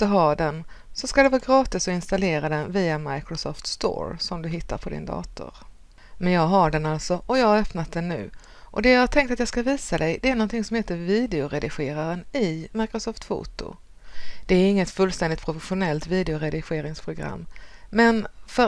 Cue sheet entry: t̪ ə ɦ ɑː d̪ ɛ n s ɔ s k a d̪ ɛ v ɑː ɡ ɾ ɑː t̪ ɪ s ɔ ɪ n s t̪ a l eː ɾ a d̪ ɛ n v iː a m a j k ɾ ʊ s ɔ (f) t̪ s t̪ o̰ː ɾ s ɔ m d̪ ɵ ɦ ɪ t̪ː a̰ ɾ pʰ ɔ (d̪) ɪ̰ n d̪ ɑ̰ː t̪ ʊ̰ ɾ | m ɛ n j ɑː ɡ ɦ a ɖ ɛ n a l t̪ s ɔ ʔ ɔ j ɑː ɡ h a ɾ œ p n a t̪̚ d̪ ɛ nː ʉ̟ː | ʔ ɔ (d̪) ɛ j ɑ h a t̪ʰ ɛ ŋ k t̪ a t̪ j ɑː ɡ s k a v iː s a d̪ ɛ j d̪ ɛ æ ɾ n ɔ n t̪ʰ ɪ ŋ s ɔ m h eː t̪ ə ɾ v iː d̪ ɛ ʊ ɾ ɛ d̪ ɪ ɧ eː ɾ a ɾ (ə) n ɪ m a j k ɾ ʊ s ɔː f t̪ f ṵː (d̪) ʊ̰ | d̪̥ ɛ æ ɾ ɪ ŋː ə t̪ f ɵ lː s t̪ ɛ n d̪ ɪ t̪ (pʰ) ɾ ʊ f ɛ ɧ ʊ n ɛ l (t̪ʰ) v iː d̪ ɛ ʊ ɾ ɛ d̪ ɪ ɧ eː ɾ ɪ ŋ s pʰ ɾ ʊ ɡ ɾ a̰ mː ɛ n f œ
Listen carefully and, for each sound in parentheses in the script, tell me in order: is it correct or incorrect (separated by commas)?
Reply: correct, correct, correct, correct, incorrect, correct, incorrect